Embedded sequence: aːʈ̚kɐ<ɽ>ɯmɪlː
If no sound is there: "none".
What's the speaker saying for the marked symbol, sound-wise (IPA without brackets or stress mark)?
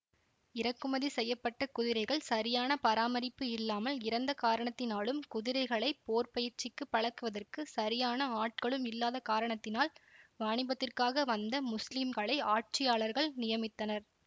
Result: ɭ